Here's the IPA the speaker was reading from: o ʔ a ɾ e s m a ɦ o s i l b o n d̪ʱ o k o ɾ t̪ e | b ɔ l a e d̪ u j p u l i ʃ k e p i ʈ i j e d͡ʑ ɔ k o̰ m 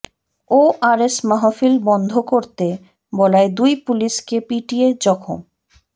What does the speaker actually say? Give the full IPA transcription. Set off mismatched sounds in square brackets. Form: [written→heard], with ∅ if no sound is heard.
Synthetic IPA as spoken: o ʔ a ɾ e s m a ɦ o [s→f] i l b [o→ɔ] n d̪ʱ o k o ɾ t̪ e | b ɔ l a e d̪ u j p u l i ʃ k e p i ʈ i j e d͡ʑ ɔ [k→kʰ] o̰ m